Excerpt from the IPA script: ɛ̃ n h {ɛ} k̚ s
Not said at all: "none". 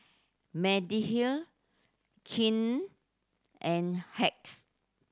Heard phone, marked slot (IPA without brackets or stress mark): ɛ